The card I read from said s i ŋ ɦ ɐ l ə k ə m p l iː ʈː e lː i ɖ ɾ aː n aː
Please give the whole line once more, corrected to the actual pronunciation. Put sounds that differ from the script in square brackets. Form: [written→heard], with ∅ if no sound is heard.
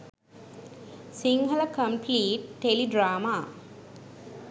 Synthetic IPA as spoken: s i ŋ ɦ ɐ l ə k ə m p l iː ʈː e [lː→l] i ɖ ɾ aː [n→m] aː